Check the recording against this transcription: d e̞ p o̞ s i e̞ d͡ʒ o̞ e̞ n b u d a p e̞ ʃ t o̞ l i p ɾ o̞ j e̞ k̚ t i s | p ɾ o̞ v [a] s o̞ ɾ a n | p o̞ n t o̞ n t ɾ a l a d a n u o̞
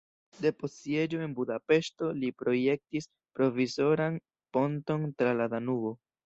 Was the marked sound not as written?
yes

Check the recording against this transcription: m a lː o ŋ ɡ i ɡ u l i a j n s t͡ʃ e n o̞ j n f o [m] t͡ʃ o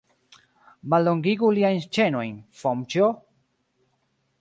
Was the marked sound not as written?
no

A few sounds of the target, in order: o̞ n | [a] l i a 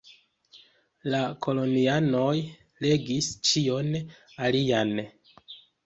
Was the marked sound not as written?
no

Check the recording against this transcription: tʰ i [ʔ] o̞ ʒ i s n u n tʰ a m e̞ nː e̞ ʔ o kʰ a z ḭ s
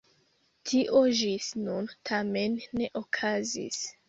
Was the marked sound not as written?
no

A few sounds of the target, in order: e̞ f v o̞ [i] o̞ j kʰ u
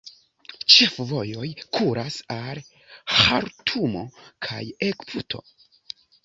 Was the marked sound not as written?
yes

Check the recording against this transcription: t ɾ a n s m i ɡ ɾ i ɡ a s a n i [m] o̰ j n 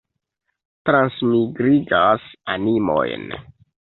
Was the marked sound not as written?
no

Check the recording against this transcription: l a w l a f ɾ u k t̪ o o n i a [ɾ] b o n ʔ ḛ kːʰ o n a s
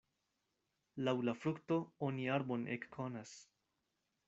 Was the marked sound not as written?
no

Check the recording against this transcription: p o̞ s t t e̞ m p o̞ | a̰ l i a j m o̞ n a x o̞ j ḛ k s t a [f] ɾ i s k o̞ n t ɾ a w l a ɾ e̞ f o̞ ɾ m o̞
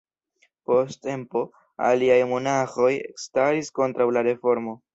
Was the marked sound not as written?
yes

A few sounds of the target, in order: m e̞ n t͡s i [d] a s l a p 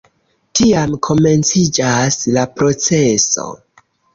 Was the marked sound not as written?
yes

